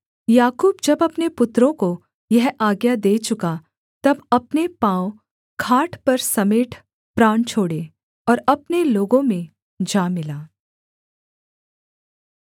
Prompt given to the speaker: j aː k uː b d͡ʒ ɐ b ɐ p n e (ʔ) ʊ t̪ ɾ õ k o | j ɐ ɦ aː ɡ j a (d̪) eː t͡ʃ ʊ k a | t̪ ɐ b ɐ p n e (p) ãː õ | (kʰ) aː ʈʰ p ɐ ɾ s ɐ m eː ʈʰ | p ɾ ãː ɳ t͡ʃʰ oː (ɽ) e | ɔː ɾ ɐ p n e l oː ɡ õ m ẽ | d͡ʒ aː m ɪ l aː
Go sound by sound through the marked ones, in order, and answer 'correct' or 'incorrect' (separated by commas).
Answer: incorrect, correct, correct, correct, correct